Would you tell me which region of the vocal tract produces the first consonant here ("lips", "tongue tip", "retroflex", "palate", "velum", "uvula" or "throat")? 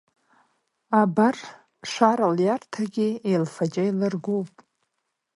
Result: lips